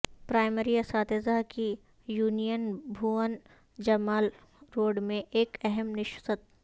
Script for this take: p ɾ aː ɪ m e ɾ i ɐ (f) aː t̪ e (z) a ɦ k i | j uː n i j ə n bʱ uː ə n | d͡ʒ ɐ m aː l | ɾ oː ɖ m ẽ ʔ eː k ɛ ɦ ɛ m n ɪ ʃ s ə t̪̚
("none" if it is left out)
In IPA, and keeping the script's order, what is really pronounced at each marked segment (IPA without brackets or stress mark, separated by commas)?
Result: s, z